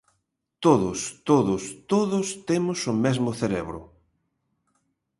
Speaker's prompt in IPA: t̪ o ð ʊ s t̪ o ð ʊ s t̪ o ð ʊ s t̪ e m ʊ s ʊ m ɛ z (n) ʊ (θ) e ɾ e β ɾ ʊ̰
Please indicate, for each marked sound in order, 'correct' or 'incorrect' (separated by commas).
incorrect, correct